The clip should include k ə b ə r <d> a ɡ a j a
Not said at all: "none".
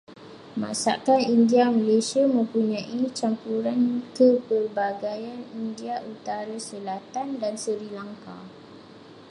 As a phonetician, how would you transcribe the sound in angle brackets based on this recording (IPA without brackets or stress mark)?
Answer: b